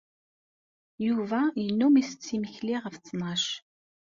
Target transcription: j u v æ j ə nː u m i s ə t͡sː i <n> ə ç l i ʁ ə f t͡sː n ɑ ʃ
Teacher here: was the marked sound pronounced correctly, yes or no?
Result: no